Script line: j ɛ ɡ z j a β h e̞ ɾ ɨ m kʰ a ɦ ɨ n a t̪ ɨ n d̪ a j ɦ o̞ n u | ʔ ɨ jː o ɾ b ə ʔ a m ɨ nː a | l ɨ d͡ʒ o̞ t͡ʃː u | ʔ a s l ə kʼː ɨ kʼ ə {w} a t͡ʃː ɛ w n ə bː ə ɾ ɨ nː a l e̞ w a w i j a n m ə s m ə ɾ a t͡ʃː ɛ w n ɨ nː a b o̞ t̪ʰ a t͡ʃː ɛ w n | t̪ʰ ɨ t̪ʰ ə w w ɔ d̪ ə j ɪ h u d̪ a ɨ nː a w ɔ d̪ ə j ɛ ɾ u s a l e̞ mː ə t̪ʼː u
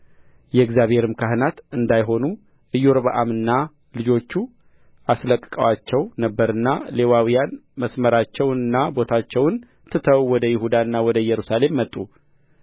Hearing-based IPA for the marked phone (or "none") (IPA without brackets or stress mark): w